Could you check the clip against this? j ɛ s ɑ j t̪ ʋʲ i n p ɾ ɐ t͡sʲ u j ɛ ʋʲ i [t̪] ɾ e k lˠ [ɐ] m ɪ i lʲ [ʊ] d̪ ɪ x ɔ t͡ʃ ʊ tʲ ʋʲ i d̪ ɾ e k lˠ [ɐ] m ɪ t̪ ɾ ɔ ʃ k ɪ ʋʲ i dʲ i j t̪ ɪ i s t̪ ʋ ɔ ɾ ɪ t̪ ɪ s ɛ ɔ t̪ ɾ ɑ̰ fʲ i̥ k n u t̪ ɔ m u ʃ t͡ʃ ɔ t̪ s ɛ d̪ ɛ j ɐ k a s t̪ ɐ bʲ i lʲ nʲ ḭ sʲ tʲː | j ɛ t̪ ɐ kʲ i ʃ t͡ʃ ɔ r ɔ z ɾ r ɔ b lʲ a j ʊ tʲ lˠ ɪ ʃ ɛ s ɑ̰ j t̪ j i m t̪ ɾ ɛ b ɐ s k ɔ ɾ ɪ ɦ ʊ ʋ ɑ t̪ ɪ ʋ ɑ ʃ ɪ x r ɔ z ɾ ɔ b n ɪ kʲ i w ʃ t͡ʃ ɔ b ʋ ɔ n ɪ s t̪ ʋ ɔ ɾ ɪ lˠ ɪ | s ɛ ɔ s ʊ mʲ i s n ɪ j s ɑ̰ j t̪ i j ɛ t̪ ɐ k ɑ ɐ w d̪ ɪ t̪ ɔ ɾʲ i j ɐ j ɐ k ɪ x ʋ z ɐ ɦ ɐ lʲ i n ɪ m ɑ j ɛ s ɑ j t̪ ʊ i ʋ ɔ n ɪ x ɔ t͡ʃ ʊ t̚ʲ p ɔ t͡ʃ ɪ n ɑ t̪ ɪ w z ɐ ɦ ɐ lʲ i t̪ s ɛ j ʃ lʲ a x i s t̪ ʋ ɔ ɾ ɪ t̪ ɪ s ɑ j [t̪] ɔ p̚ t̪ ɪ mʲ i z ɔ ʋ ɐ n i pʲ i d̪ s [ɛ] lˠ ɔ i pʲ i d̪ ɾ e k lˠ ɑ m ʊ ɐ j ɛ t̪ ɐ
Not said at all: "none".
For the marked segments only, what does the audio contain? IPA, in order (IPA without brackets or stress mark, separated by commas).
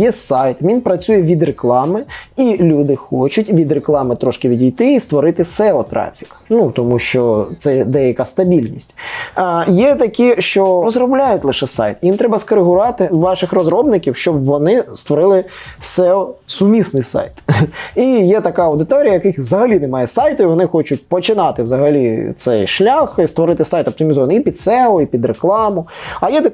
d̪, ɑ, u, ɑ, t̪, ɛ